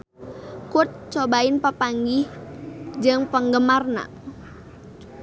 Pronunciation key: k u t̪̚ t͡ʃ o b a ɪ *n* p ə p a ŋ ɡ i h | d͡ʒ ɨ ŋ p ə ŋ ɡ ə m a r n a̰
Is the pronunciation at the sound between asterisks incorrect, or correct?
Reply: correct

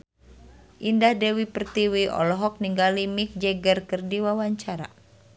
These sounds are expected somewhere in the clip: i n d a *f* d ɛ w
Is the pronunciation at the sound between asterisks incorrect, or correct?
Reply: incorrect: h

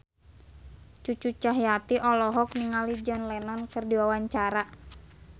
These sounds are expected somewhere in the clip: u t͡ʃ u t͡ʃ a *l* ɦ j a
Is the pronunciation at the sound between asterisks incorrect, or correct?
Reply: incorrect: none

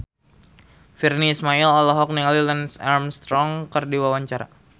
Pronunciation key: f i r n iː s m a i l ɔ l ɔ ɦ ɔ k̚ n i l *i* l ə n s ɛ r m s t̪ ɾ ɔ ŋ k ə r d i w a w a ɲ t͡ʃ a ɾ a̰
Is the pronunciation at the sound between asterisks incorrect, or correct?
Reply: correct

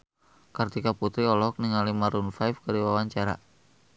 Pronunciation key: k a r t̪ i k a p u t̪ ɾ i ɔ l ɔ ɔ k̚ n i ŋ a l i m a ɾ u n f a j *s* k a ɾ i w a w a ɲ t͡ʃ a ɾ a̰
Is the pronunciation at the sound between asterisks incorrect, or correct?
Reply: incorrect: f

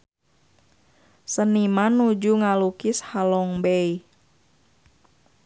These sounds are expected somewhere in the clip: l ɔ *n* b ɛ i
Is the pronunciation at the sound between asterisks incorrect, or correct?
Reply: incorrect: ŋ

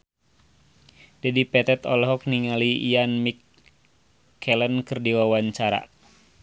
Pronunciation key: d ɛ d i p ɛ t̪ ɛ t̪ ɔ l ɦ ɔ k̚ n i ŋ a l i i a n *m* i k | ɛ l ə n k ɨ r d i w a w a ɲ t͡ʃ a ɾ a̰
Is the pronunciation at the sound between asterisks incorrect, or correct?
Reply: correct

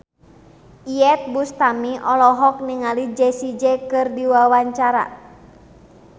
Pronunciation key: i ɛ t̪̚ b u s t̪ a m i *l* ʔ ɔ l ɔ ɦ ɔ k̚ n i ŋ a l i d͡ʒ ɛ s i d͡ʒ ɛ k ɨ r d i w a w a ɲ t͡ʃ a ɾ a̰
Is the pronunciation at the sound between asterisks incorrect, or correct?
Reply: incorrect: none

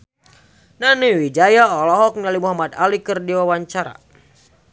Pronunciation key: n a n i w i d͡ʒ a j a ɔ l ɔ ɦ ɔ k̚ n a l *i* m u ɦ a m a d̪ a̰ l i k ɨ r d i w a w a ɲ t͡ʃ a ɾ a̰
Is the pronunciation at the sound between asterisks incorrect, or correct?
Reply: correct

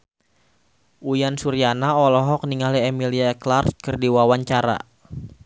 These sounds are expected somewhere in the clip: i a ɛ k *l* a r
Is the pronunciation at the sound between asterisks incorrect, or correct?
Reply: correct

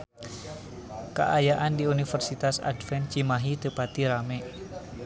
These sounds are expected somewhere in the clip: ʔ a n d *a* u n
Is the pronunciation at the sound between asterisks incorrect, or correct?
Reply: incorrect: i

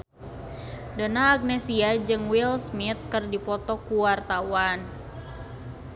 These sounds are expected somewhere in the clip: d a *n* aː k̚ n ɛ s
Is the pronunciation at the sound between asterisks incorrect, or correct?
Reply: correct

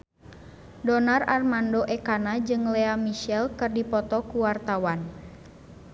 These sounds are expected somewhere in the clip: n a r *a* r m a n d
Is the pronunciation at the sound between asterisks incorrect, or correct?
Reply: correct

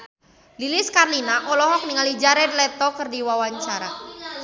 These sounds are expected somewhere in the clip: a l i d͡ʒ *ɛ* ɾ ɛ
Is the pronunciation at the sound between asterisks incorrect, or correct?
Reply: incorrect: a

